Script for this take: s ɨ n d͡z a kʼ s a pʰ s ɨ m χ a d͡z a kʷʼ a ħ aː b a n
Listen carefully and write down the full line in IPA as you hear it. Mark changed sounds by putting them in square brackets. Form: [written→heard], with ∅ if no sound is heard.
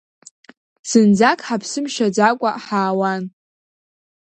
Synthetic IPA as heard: s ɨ n d͡z a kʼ [s→ħ] a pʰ s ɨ m [χ→ʃ] a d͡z a kʷʼ a ħ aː [b→w] a n